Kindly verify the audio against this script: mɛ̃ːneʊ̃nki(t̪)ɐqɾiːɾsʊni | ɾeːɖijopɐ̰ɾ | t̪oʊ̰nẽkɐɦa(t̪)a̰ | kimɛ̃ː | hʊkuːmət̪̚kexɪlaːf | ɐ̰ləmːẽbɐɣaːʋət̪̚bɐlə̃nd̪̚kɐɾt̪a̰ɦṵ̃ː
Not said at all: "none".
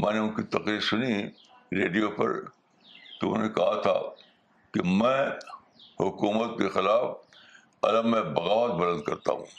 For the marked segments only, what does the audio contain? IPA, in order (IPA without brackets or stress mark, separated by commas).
t̪, t̪ʰ